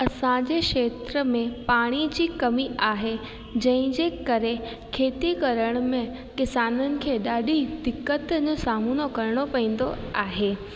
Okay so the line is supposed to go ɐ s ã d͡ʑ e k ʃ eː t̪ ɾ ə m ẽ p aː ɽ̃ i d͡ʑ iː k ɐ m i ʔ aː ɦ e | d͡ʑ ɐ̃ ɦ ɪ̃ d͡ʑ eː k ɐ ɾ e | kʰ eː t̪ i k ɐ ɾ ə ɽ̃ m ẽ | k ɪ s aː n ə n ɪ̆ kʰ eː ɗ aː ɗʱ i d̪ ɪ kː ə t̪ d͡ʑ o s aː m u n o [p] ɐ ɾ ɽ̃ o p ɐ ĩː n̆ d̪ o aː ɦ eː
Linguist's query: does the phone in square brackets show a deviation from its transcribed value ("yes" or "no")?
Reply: yes